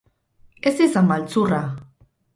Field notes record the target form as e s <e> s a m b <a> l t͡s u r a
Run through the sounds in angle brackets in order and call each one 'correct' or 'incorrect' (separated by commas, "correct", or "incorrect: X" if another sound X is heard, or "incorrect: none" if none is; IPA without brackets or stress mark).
incorrect: i, correct